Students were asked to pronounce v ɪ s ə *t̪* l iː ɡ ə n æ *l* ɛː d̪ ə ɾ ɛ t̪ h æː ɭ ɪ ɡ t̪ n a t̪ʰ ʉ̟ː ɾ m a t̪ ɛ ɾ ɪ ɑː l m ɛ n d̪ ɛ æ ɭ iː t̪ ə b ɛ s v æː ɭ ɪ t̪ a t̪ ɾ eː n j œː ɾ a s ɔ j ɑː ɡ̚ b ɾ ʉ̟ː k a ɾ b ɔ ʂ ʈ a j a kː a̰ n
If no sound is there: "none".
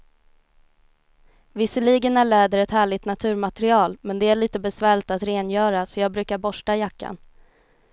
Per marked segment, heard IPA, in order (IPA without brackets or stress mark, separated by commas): none, ɭ